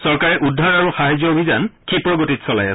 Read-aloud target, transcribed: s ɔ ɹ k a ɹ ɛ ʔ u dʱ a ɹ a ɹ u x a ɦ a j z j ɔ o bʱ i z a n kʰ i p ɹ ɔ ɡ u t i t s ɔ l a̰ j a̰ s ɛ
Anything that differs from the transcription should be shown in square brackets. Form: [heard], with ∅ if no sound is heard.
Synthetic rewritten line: s ɔ ɹ k a ɹ ɛ ʔ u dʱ a ɹ a ɹ u x a ɦ a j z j ɔ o bʱ i z a n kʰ i p ɹ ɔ ɡ [o] t i t s ɔ l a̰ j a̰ s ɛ